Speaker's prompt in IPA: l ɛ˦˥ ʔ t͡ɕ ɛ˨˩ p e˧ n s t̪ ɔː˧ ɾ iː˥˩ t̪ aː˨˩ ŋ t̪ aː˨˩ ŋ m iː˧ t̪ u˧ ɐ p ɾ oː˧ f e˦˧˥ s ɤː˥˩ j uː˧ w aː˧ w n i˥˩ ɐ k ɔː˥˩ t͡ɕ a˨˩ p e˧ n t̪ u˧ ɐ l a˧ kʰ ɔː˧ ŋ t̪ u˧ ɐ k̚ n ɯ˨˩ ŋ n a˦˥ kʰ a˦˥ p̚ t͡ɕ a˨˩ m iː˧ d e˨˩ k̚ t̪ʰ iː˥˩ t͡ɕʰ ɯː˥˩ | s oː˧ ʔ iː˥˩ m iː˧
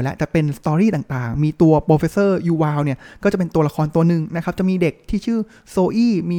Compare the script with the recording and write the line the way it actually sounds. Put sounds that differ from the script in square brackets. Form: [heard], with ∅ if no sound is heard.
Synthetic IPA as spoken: l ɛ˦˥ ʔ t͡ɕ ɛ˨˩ p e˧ n s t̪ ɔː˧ ɾ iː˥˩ t̪ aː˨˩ ŋ t̪ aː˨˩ ŋ m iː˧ t̪ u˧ ɐ p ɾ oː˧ f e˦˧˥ s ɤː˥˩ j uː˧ w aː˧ w n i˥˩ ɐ k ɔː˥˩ t͡ɕ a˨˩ p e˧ n t̪ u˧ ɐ l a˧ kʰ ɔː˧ [n] t̪ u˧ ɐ [∅] n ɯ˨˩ ŋ n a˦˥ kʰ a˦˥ p̚ t͡ɕ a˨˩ m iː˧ d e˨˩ k̚ t̪ʰ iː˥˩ t͡ɕʰ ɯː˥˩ | s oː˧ ʔ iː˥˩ m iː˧